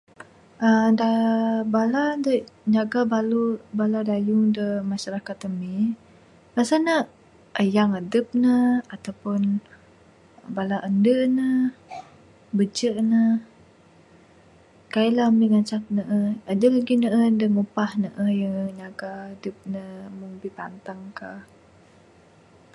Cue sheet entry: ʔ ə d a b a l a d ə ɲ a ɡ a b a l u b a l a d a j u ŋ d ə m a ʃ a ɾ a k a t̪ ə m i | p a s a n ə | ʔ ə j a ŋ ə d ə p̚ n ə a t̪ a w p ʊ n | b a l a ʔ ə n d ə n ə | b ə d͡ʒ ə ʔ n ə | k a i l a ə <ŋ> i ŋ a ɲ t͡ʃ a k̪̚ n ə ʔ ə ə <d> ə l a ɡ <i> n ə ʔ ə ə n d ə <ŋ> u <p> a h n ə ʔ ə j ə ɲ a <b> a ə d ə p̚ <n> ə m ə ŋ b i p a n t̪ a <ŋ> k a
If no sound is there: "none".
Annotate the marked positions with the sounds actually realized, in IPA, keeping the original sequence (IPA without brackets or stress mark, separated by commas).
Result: m, d, i, ŋ, p, ɡ, n, ŋ